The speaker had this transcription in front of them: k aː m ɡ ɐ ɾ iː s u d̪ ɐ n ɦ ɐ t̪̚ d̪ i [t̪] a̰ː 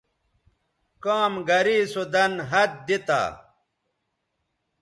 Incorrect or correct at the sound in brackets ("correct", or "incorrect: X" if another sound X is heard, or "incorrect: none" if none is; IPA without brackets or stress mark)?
correct